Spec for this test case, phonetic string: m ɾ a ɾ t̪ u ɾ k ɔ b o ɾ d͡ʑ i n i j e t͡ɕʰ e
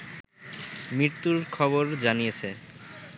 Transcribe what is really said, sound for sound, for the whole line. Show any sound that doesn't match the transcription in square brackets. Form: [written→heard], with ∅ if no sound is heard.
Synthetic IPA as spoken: m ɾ [a→i] ɾ t̪ u ɾ [k→kʰ] ɔ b o ɾ d͡ʑ [i→a] n i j e t͡ɕʰ e